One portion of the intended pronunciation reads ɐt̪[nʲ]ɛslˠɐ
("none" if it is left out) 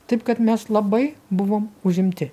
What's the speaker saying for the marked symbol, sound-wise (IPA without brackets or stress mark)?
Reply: mʲ